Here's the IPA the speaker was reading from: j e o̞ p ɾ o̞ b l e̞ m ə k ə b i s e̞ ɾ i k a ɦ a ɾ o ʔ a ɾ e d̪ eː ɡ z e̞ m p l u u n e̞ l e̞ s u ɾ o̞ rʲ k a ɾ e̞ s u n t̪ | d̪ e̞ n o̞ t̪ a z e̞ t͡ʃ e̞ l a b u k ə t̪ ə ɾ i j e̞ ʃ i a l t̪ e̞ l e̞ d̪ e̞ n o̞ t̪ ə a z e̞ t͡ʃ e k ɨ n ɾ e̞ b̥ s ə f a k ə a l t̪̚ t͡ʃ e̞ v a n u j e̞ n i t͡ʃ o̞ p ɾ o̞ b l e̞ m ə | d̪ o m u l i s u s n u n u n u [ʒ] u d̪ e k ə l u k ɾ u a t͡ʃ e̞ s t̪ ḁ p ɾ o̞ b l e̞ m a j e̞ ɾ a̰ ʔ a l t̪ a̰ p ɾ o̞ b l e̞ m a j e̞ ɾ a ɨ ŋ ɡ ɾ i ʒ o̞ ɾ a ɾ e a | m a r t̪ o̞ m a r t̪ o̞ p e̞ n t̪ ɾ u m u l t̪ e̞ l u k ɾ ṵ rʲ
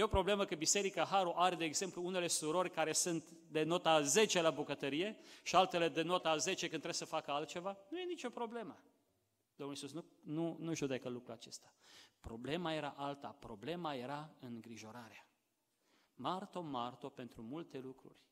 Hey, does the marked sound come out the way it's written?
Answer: yes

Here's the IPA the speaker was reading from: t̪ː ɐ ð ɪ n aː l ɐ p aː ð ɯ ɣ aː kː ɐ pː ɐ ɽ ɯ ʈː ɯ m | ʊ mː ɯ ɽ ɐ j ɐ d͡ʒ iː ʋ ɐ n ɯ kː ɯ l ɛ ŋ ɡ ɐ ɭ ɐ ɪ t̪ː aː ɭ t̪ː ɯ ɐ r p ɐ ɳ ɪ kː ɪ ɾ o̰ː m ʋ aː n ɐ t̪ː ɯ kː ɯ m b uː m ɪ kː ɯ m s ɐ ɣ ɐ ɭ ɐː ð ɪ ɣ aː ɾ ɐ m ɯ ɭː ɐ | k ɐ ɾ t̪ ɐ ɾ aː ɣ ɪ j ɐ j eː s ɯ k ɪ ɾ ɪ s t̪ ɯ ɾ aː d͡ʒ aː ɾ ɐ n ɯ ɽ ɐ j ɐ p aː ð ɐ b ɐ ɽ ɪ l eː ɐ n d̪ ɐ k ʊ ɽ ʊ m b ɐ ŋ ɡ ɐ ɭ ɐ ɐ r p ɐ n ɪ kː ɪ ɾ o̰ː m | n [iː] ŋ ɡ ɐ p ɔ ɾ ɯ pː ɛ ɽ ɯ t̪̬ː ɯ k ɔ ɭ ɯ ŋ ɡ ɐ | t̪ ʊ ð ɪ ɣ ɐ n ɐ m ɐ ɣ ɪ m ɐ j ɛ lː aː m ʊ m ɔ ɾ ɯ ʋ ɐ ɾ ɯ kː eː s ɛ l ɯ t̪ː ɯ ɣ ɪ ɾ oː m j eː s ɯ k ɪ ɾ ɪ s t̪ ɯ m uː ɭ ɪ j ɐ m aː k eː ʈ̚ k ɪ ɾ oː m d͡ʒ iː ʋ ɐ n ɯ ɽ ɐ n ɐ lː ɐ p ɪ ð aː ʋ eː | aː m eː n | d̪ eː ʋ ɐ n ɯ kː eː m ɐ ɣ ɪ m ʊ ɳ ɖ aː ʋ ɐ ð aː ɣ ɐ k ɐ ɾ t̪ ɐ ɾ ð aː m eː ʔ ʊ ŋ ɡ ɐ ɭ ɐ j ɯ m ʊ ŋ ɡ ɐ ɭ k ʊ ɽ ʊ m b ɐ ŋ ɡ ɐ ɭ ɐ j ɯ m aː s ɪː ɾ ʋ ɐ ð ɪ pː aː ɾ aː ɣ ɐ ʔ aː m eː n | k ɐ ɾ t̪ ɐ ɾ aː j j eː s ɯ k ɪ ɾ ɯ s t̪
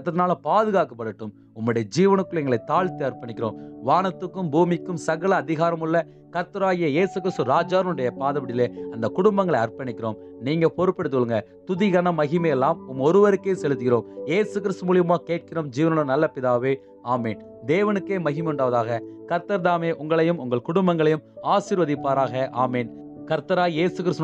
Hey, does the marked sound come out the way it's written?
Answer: yes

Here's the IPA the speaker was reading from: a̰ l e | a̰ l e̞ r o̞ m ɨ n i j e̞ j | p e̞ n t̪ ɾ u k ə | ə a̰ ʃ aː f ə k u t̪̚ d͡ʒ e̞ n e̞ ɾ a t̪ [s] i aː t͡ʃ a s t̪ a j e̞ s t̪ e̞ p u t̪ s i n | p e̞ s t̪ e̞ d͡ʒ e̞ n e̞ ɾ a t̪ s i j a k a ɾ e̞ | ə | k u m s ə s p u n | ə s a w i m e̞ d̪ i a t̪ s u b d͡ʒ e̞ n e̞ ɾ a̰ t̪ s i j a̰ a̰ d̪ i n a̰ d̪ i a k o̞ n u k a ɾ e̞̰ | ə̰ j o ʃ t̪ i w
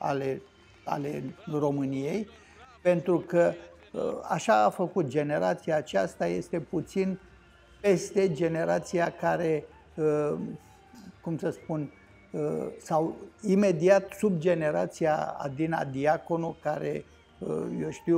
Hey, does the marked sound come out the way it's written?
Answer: yes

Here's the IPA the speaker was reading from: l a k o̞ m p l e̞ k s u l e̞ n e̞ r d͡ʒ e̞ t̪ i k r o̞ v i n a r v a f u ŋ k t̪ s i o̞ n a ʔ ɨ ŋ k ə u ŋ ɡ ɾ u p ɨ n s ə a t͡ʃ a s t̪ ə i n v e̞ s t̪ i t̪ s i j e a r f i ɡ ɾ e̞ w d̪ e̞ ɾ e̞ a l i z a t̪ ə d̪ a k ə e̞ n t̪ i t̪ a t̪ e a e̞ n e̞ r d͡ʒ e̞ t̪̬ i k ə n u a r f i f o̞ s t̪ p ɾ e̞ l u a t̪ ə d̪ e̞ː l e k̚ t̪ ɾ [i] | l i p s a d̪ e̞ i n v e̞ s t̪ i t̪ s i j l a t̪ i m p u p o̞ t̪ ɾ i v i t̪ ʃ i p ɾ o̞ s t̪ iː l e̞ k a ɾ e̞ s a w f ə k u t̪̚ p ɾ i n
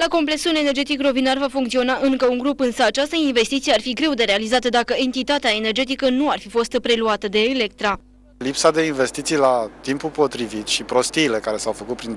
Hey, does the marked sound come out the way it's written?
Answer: no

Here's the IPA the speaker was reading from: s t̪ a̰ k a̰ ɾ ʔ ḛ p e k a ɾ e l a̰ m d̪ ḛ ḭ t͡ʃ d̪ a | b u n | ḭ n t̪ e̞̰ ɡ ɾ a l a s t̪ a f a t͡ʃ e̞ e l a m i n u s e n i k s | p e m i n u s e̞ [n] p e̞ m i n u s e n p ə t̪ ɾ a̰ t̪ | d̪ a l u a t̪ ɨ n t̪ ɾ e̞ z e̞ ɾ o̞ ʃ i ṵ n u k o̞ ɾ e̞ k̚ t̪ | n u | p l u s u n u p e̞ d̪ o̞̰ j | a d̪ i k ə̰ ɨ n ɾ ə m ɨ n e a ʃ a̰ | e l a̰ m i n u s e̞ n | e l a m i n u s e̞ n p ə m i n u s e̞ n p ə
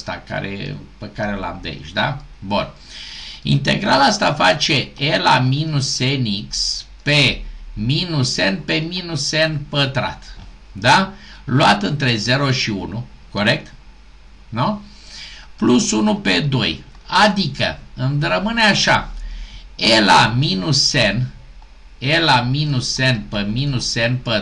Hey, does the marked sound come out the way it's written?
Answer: yes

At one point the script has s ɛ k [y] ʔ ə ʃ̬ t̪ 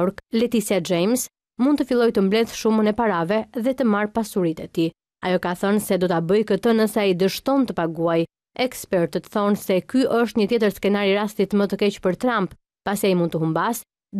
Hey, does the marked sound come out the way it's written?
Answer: yes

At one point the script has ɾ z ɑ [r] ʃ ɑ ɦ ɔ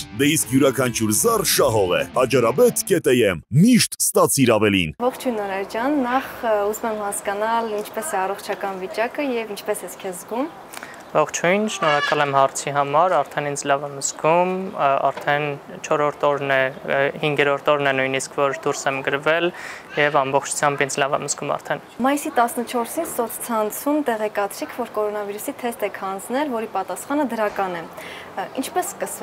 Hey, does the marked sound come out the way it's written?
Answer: yes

